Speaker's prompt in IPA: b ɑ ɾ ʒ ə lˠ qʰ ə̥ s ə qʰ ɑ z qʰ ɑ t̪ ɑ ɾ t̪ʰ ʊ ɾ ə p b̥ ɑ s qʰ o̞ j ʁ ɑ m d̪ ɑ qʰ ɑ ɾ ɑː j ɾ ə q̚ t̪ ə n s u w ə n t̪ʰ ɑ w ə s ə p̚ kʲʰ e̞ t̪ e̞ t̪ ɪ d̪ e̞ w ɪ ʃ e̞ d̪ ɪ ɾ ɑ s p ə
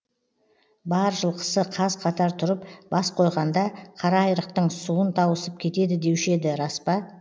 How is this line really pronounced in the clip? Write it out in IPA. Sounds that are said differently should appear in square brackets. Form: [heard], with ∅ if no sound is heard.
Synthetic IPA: b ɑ ɾ ʒ ə lˠ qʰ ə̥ s ə qʰ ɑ z qʰ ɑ t̪ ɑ ɾ t̪ʰ ʊ ɾ ə p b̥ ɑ s qʰ o̞ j ʁ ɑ [n] d̪ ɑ qʰ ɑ ɾ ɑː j ɾ ə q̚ t̪ ə [ɴ] s u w ə n t̪ʰ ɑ w ə s ə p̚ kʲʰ e̞ t̪ e̞ [d̪] ɪ d̪ e̞ w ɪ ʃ e̞ d̪ ɪ ɾ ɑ s p [ɑ]